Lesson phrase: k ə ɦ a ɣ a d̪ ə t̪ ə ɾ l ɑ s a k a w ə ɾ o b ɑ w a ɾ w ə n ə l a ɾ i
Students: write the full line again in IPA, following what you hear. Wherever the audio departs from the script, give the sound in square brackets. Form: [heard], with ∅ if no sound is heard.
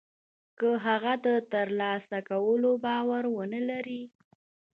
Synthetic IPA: k ə ɦ a ɣ a d̪ ə t̪ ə ɾ l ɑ s a k a w ə [l] o b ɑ w a ɾ w ə n ə l a ɾ i